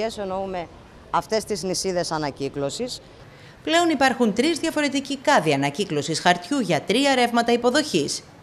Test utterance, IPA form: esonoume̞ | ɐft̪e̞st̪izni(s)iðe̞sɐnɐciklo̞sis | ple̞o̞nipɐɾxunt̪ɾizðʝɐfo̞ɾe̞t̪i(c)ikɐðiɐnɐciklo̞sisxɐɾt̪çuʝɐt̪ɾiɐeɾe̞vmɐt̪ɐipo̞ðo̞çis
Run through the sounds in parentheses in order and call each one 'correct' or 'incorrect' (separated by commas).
correct, correct